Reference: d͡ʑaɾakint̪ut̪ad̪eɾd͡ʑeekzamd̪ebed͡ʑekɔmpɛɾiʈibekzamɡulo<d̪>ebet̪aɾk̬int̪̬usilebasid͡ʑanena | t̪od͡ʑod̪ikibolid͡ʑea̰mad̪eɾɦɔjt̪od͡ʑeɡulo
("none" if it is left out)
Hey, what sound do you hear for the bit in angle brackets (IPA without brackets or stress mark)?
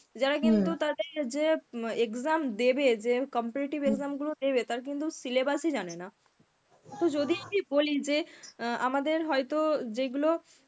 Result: d̪